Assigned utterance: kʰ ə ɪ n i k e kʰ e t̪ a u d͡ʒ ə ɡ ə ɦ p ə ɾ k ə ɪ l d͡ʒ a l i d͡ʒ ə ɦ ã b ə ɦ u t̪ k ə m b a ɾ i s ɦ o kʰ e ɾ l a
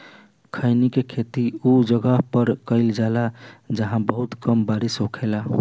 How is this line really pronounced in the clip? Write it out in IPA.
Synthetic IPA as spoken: kʰ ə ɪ n i k e kʰ e t̪ i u d͡ʒ ə ɡ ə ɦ p ə ɾ k ə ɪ l d͡ʒ a l a d͡ʒ ə ɦ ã b ə ɦ u t̪ k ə m b a ɾ i s ɦ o kʰ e l a